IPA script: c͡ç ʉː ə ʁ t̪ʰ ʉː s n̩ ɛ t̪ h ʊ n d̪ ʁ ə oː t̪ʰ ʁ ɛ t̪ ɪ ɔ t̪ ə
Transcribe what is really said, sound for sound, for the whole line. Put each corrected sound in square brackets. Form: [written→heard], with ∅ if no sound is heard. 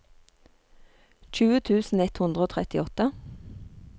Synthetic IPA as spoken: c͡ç ʉː ə [ʁ→∅] t̪ʰ ʉː s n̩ ɛ t̪ h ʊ n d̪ ʁ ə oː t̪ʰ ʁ ɛ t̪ ɪ ɔ t̪ ə